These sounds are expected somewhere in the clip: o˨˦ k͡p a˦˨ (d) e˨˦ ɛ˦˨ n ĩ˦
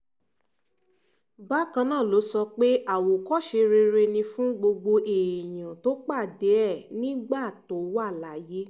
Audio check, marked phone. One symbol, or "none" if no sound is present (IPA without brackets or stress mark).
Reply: d